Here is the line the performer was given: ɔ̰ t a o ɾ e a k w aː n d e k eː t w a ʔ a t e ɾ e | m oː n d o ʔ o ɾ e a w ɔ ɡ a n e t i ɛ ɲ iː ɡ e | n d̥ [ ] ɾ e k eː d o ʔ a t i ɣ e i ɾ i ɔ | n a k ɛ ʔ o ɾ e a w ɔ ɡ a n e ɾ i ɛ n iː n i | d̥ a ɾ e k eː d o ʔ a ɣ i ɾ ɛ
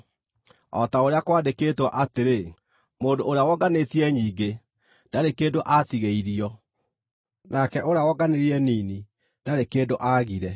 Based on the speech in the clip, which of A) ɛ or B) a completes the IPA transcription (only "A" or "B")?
B